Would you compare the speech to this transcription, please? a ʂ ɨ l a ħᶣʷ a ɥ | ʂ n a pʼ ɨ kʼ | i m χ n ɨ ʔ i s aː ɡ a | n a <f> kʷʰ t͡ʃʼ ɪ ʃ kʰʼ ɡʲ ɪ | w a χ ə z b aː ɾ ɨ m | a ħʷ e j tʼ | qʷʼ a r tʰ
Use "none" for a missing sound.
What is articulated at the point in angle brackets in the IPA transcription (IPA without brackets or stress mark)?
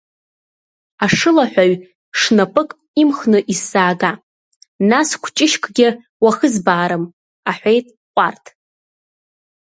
s